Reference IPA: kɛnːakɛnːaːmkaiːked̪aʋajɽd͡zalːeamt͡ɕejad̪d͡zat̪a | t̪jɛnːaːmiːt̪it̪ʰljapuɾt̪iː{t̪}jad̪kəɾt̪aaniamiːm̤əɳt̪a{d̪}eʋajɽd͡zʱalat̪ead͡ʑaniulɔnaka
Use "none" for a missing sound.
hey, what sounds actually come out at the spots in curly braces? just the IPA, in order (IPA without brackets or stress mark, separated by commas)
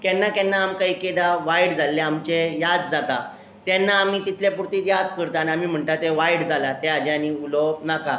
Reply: t̪, t̪